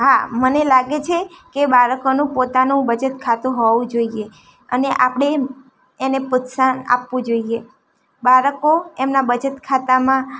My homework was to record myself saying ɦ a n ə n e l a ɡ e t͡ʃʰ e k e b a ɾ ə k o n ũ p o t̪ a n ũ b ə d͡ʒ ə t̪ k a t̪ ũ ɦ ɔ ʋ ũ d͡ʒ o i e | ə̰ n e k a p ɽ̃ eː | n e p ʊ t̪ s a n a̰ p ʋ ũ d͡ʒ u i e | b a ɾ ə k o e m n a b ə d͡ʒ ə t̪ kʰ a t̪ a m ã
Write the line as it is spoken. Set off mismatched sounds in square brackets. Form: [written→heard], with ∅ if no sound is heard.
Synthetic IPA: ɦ a [n→m] ə n e l a ɡ e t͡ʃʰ e k e b a ɾ ə k o n ũ p o t̪ a n ũ b ə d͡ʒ ə t̪ [k→kʰ] a t̪ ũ ɦ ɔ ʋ ũ d͡ʒ o i e | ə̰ n e [k→ʔ] a p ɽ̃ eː | n e p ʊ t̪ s a n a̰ p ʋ ũ d͡ʒ [u→o] i e | b a ɾ ə k o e m n a b ə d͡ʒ ə t̪ kʰ a t̪ a m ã

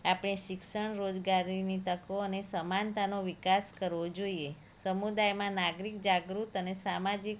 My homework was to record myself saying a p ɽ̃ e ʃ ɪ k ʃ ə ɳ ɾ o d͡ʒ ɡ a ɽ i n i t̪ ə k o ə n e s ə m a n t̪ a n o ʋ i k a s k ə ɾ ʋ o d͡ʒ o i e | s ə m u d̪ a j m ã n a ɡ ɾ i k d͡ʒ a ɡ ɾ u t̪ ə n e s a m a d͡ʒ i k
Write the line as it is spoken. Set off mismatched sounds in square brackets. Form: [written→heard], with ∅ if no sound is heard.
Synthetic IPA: a p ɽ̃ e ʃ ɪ k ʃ ə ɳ ɾ o d͡ʒ ɡ a [ɽ→ɾ] i n i t̪ ə k o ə n e s ə m a n t̪ a n o ʋ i k a s k ə ɾ ʋ o d͡ʒ o i e | s ə m u d̪ a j m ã n a ɡ ɾ i k d͡ʒ a ɡ ɾ u t̪ ə n e s a m a d͡ʒ i k

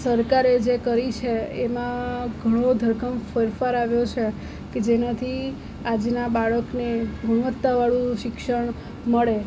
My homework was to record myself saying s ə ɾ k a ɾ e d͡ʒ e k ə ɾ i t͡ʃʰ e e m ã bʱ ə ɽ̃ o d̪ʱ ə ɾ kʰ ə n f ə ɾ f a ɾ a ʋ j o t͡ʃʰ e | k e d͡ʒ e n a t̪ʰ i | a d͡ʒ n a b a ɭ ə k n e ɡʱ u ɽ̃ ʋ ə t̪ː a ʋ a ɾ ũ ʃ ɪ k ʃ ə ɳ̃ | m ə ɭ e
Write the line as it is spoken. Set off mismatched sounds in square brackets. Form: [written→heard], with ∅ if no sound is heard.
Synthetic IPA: s ə ɾ k a ɾ e d͡ʒ e k ə ɾ i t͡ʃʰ e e m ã [bʱ→ɡʱ] ə ɽ̃ o d̪ʱ ə ɾ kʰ ə [n→m] f ə ɾ f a ɾ a ʋ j o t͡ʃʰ e | k e d͡ʒ e n a t̪ʰ i | a d͡ʒ n a b a ɭ ə k n e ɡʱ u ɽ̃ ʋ ə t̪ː a ʋ a [ɾ→ɭ] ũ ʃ ɪ k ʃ ə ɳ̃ | m ə ɭ e

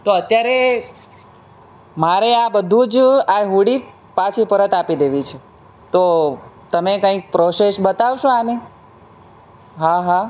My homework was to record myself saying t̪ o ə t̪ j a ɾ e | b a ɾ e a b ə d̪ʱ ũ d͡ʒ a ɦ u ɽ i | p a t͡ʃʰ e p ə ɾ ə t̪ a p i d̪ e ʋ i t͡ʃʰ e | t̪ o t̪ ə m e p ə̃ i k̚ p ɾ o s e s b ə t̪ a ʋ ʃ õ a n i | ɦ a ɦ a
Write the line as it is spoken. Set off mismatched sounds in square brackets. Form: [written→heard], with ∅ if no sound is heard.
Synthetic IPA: t̪ o ə t̪ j a ɾ e | [b→m] a ɾ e a b ə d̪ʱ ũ d͡ʒ a ɦ u ɽ i | p a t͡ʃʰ [e→i] p ə ɾ ə t̪ a p i d̪ e ʋ i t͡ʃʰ e | t̪ o t̪ ə m e [p→k] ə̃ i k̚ p ɾ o s e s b ə t̪ a ʋ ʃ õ a n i | ɦ a ɦ a

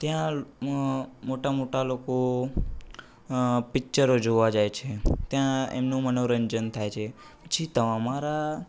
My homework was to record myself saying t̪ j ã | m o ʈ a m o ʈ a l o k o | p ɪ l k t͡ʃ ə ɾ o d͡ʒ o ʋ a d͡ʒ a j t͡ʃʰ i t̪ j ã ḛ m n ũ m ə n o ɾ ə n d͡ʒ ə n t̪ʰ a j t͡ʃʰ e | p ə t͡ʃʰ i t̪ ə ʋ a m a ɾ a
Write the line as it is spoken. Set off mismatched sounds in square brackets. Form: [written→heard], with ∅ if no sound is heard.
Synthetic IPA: t̪ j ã | m o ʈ a m o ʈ a l o k o | p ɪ [l→∅] k t͡ʃ ə ɾ o d͡ʒ o ʋ a d͡ʒ a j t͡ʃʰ [i→e] t̪ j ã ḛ m n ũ m ə n o ɾ ə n d͡ʒ ə n t̪ʰ a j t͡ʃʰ e | p ə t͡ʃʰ i t̪ ə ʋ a m a ɾ a

